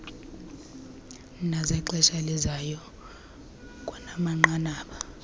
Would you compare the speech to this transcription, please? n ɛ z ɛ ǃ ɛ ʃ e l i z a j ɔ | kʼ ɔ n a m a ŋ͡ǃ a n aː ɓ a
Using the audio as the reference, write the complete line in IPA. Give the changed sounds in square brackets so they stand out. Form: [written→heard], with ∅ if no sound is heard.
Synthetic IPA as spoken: n [ɛ→a] z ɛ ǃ ɛ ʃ [e→a] l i z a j ɔ | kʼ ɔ n a m a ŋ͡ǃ a n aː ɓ a

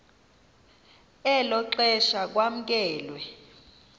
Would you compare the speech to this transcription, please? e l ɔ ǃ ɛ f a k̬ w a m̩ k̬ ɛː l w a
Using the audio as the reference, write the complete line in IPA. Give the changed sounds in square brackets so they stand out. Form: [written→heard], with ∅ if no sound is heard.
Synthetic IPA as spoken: [e→ɛ] l ɔ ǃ ɛ [f→ʃ] a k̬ w a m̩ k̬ ɛː l w [a→ɛ]

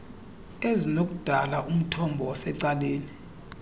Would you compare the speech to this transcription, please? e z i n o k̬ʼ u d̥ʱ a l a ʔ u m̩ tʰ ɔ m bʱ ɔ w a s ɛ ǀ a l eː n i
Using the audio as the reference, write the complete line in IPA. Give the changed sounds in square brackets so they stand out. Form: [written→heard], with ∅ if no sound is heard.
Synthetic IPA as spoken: e z i n o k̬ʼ u d̥ʱ a l a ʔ u m̩ tʰ ɔ m bʱ ɔ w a s ɛ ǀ a l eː n i

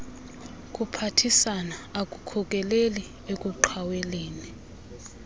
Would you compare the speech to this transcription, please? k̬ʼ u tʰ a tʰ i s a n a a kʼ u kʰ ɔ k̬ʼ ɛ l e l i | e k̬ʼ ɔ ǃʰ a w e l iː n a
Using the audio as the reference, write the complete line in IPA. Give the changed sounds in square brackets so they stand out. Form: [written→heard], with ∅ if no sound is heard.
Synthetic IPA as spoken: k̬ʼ u [tʰ→pʰ] a tʰ i s a n a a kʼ u kʰ ɔ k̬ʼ ɛ l e l i | e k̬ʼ [ɔ→u] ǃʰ a w e l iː n [a→i]

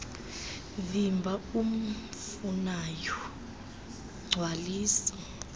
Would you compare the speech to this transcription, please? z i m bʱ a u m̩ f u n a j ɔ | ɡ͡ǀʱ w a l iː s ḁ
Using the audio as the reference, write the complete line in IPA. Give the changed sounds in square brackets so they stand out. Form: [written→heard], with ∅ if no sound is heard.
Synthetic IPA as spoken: [z→v] i m bʱ a u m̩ f u n a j ɔ | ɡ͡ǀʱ w a l iː s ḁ

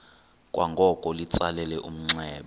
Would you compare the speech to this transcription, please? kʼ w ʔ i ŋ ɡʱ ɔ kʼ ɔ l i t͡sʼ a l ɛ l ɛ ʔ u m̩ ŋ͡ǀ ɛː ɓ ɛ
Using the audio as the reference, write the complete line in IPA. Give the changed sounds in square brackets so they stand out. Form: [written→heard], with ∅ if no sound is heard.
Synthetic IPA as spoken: kʼ w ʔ [i→a] ŋ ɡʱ ɔ kʼ ɔ l i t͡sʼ a l ɛ l ɛ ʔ u m̩ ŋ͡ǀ ɛː ɓ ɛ

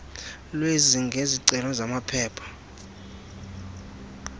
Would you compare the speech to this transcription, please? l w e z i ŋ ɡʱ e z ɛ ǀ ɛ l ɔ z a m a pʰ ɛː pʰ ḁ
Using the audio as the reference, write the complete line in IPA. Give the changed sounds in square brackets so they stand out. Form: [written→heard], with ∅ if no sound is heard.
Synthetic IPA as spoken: l w e z i ŋ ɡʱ e z [ɛ→i] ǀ ɛ l ɔ z a m a pʰ ɛː pʰ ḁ

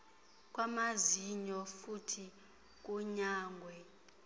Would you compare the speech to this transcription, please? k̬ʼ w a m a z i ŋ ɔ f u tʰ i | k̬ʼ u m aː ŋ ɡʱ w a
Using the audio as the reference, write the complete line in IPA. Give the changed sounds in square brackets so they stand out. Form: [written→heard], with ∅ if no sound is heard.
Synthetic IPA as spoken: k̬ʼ w a m a z i [ŋ→ɲ] ɔ f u tʰ i | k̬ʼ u [m→ɲ] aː ŋ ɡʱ w [a→ɛ]

